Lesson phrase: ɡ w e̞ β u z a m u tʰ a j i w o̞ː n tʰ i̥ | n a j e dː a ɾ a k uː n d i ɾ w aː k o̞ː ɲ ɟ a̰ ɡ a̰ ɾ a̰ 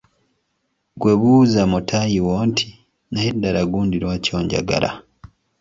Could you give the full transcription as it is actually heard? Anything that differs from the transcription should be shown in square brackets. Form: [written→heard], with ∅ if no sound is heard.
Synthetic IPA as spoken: ɡ w e̞ β u z a m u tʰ a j i w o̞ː n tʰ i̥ | n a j e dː a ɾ a [k→ɡ] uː n d i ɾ w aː [k→c] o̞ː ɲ ɟ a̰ ɡ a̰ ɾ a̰